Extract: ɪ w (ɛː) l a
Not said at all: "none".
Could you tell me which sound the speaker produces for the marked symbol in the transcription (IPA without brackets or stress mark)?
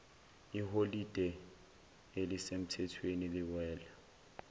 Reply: ɛː